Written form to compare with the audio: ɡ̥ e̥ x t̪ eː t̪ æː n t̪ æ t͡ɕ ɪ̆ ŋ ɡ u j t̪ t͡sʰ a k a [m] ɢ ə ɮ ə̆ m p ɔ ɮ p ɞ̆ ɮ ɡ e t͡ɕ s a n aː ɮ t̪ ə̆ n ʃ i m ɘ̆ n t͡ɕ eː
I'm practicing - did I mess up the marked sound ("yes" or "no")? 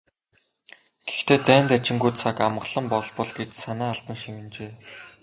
no